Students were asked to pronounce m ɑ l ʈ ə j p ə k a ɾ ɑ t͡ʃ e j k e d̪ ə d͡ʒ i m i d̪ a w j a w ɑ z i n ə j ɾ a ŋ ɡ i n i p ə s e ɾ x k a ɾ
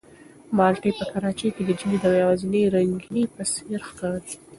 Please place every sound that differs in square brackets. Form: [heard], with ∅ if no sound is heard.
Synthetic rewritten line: m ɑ l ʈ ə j p ə k a ɾ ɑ t͡ʃ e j k e d̪ ə d͡ʒ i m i d̪ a w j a w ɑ z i n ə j ɾ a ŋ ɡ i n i p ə s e ɾ x k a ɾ